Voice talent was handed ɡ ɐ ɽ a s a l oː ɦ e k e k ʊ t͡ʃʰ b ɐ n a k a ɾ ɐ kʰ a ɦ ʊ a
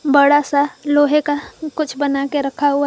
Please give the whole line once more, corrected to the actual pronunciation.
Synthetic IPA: b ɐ ɽ a s a l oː ɦ e k a k ʊ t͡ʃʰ b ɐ n a k e ɾ ɐ kʰ a ɦ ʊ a